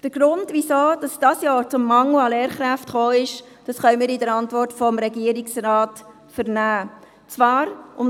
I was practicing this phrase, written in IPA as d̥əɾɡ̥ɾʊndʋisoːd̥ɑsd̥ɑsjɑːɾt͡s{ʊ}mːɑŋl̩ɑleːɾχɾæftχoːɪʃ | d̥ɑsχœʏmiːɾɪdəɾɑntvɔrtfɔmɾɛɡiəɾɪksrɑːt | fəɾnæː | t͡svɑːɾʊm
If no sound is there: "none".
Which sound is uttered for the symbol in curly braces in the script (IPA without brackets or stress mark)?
ʊ